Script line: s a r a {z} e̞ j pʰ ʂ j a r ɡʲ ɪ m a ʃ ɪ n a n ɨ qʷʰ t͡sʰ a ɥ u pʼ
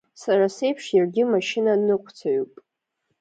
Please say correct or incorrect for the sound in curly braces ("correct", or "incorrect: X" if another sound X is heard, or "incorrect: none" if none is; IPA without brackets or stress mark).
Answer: incorrect: s